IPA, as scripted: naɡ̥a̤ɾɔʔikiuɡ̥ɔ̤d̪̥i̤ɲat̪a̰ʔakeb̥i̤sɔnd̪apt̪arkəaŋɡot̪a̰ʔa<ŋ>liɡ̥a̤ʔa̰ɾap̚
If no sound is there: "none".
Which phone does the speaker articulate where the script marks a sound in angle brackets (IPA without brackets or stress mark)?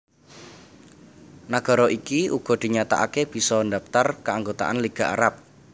n